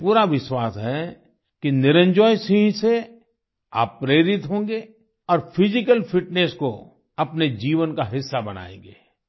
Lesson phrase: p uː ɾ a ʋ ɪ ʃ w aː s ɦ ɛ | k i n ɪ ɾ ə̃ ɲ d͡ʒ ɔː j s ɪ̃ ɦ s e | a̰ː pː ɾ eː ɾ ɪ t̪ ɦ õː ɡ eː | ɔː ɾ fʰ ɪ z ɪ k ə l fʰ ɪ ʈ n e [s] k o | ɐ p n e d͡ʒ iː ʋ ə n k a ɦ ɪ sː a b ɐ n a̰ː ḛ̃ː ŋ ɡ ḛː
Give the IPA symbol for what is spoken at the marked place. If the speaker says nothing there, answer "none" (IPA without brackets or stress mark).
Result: s